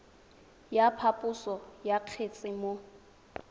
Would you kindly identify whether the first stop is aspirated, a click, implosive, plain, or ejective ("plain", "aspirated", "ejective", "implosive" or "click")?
aspirated